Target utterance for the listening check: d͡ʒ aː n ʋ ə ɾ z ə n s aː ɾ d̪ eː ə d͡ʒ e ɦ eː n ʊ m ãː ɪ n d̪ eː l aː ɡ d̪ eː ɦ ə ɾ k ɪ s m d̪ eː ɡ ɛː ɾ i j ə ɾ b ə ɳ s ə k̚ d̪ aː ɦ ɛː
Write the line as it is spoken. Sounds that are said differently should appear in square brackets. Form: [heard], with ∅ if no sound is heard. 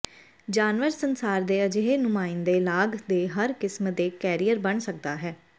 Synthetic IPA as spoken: d͡ʒ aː n ʋ ə ɾ [s] ə n s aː ɾ d̪ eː ə d͡ʒ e ɦ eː n ʊ m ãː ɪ n d̪ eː l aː ɡ d̪ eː ɦ ə ɾ k ɪ s m d̪ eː [k] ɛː ɾ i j ə ɾ b ə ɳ s ə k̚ d̪ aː ɦ ɛː

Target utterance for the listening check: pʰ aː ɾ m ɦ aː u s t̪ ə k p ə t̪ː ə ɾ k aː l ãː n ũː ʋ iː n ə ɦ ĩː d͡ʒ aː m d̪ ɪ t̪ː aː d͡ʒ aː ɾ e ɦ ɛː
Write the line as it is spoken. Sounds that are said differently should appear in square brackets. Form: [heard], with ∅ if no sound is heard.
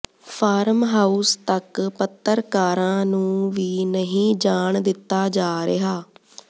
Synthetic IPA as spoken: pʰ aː ɾ m ɦ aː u s t̪ ə k p ə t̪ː ə ɾ k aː [ɾ] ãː n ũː ʋ iː n ə ɦ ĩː d͡ʒ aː [ɳ] d̪ ɪ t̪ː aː d͡ʒ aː ɾ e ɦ [aː]

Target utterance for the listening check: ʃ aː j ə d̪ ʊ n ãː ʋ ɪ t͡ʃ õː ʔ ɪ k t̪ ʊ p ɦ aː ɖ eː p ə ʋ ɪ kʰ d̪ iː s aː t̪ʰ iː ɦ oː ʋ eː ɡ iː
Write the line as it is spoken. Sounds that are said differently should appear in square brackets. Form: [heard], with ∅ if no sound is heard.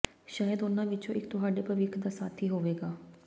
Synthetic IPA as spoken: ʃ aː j ə d̪ ʊ n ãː ʋ ɪ t͡ʃ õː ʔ ɪ k t̪ ʊ [∅] ɦ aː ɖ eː p ə ʋ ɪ kʰ d̪ [aː] s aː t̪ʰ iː ɦ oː ʋ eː ɡ [aː]

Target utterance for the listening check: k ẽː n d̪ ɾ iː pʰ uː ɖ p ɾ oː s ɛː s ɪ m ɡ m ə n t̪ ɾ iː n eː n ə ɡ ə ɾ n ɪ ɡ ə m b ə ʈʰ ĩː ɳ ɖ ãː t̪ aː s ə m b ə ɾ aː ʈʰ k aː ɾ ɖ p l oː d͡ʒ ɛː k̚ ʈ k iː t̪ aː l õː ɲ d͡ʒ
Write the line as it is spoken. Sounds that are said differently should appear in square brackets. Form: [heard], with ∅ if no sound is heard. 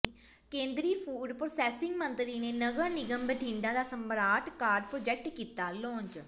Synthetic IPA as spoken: k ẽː n d̪ ɾ iː pʰ uː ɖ p ɾ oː s ɛː s ɪ [ŋ] ɡ m ə n t̪ ɾ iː n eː n ə ɡ ə ɾ n ɪ ɡ ə m b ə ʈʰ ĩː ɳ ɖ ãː [d̪] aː s ə m b ə ɾ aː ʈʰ k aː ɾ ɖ p [ɾ] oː d͡ʒ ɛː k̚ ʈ k iː t̪ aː l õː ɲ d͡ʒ

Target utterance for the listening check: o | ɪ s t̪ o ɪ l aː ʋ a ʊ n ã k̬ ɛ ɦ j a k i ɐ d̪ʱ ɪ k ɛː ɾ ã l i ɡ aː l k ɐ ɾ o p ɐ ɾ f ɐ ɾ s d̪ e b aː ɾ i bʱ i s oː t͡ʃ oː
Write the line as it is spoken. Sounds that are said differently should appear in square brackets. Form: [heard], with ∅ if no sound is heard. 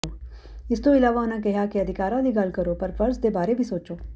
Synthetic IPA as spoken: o | ɪ s t̪ o ɪ l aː ʋ a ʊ n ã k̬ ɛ ɦ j a k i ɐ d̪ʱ ɪ k [aː] ɾ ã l i ɡ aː l k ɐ ɾ o p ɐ ɾ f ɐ ɾ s d̪ e b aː ɾ [e] bʱ i s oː t͡ʃ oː

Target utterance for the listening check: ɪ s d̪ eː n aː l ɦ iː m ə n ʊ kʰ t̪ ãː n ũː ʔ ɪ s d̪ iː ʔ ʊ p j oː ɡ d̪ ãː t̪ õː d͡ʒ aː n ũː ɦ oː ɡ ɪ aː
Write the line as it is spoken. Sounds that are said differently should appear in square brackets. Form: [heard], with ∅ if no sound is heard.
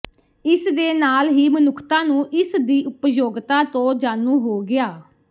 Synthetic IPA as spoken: ɪ s d̪ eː n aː l ɦ iː m ə n ʊ kʰ t̪ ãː n ũː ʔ ɪ s d̪ iː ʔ ʊ p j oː ɡ [t̪] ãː t̪ õː d͡ʒ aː n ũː ɦ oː ɡ ɪ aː

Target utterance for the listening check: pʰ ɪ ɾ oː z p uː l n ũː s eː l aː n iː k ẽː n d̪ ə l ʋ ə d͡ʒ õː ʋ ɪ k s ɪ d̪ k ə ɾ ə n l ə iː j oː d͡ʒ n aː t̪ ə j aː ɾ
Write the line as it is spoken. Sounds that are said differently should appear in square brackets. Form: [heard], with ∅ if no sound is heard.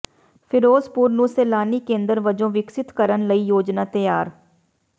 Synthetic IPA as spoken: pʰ ɪ ɾ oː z p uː [ɾ] n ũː s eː l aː n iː k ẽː n d̪ ə [ɾ] ʋ ə d͡ʒ õː ʋ ɪ k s ɪ [t̪] k ə ɾ ə n l ə iː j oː d͡ʒ n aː t̪ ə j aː ɾ

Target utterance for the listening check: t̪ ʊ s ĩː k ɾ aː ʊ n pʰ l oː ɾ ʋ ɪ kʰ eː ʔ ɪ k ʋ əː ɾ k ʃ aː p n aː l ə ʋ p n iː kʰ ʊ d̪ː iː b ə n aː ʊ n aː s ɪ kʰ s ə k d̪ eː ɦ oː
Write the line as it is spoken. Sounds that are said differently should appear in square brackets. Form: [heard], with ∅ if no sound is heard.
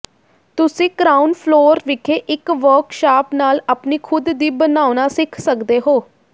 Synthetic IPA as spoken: t̪ ʊ s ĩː k ɾ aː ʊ n pʰ l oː ɾ ʋ ɪ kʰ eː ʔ ɪ k ʋ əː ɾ k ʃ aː p n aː l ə [∅] p n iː kʰ ʊ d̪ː iː b ə n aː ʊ n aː s ɪ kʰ s ə k d̪ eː ɦ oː

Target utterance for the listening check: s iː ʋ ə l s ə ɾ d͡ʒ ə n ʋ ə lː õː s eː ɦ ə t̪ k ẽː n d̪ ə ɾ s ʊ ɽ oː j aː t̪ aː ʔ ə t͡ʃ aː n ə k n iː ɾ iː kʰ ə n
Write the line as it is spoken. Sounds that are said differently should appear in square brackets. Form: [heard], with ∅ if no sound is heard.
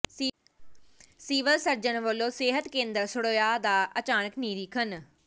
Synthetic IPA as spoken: s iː ʋ ə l s ə ɾ d͡ʒ ə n ʋ ə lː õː s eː ɦ ə t̪ k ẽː n d̪ ə ɾ s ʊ ɽ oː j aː [d̪] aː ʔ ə t͡ʃ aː n ə k n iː ɾ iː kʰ ə n

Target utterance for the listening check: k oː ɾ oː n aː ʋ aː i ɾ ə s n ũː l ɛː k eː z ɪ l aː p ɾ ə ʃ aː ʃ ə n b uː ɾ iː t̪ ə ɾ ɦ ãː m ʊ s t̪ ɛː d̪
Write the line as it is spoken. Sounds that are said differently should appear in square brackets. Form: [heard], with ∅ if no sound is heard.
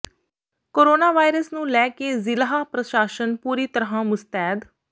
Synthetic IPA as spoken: k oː ɾ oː n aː ʋ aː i ɾ ə s n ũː l ɛː k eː z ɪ l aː p ɾ ə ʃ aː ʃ ə n [p] uː ɾ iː t̪ ə ɾ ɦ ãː m ʊ s t̪ ɛː d̪

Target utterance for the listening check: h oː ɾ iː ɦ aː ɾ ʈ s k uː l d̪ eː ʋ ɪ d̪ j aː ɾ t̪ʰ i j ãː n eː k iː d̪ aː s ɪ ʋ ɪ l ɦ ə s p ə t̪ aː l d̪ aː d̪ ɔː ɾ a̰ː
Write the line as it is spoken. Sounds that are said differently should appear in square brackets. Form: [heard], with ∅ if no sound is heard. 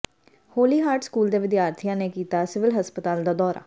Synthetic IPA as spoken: h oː [l] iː ɦ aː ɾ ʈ s k uː l d̪ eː ʋ ɪ d̪ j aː ɾ t̪ʰ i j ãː n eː k iː [t̪] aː s ɪ ʋ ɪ l ɦ ə s p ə t̪ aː l d̪ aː d̪ ɔː ɾ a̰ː

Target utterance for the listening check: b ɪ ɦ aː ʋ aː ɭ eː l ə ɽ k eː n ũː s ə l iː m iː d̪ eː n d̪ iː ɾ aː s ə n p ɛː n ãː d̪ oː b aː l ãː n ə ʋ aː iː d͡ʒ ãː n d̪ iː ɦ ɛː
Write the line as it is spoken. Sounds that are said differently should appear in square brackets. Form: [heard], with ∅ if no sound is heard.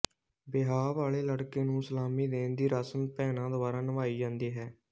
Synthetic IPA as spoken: b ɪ ɦ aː ʋ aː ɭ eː l ə ɽ k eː n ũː s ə l [aː] m iː d̪ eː n d̪ iː ɾ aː s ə n p ɛː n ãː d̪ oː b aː [ɾ] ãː n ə ʋ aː iː d͡ʒ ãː n d̪ iː ɦ ɛː

